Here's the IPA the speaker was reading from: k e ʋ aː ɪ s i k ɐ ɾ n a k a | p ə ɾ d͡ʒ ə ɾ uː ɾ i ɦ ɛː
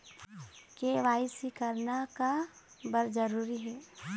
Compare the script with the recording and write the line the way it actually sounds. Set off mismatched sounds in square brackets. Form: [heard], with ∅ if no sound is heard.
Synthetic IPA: k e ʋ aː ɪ s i k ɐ ɾ n a k a | [b] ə ɾ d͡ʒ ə ɾ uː ɾ i ɦ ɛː